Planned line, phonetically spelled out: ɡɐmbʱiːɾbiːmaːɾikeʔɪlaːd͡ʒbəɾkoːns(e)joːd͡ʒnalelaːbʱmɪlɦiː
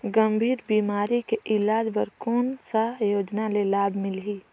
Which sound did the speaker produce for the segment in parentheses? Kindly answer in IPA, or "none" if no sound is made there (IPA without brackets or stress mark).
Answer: a